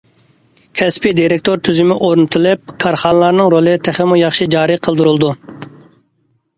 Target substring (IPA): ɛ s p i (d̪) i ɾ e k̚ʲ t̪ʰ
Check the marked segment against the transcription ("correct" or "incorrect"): correct